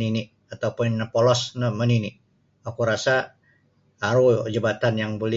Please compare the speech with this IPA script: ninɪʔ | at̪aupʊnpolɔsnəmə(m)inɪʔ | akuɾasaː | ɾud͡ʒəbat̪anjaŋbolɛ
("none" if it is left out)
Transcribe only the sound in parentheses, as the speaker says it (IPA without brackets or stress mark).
n